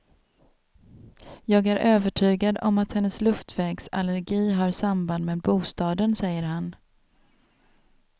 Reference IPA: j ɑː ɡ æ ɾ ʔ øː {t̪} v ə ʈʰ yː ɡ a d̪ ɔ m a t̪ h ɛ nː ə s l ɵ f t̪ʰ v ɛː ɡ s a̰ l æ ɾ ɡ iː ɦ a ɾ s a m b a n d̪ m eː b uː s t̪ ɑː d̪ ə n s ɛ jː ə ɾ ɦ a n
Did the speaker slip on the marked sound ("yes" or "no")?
yes